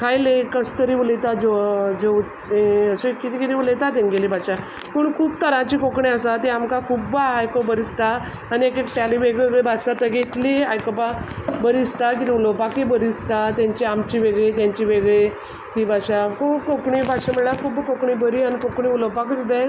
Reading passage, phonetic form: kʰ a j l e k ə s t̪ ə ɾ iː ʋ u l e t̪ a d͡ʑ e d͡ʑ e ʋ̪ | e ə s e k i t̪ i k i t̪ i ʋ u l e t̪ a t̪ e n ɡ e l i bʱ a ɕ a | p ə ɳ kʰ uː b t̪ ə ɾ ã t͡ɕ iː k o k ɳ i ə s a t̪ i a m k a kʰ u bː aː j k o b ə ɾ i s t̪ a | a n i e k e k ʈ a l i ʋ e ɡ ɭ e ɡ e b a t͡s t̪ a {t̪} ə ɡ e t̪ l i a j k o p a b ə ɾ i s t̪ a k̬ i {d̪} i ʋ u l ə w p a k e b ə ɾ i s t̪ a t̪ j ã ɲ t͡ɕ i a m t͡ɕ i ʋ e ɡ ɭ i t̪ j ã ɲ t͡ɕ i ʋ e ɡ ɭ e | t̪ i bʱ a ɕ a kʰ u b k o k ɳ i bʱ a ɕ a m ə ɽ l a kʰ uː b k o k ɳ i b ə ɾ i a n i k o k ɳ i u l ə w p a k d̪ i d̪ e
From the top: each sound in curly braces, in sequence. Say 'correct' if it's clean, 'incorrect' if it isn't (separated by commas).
correct, incorrect